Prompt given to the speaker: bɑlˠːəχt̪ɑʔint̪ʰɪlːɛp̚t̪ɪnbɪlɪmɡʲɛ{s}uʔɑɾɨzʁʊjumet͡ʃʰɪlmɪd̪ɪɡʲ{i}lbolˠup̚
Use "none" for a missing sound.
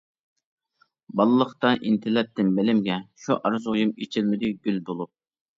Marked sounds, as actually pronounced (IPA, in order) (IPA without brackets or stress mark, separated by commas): ʃ, y